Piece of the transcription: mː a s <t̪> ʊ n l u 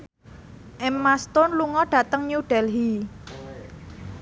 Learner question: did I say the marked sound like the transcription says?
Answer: yes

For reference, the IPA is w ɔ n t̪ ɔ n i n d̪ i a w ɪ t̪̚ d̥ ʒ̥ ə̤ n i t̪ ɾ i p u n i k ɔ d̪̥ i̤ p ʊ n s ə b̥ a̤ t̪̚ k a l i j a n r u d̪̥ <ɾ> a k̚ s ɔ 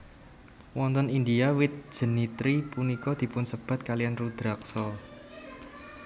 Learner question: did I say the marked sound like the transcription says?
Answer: yes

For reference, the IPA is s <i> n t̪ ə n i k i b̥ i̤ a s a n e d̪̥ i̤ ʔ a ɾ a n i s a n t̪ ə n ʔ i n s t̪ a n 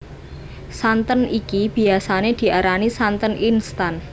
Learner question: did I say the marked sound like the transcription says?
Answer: no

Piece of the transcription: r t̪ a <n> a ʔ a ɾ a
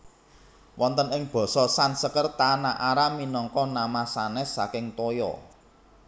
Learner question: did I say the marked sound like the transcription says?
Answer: yes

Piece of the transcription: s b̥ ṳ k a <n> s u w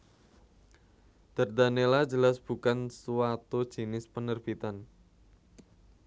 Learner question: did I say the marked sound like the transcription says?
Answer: yes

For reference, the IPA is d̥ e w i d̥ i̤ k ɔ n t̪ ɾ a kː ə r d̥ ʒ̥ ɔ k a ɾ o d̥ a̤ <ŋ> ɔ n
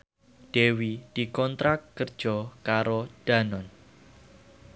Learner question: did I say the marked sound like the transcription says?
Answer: no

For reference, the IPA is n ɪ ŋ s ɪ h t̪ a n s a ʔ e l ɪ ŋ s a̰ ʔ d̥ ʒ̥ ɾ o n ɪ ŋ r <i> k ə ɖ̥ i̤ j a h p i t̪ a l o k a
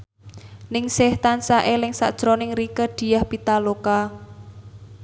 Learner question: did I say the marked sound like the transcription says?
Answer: yes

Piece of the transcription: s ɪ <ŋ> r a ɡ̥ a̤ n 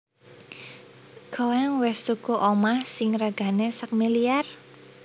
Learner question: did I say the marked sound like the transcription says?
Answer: yes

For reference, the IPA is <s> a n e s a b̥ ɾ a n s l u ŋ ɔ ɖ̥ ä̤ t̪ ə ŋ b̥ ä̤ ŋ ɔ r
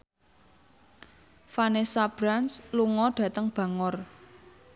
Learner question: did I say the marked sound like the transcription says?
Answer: no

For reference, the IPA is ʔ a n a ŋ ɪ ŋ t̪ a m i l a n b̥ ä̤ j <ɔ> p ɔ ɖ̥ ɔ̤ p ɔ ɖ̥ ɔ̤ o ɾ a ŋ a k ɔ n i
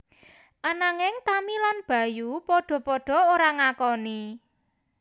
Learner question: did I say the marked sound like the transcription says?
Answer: no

